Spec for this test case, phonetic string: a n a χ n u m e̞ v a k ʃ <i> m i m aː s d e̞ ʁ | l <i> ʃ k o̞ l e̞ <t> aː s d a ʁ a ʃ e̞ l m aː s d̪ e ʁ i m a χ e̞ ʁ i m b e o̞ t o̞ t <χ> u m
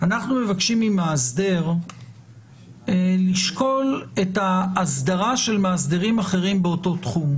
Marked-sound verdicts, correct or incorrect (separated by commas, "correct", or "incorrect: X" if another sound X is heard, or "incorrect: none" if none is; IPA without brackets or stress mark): correct, correct, correct, correct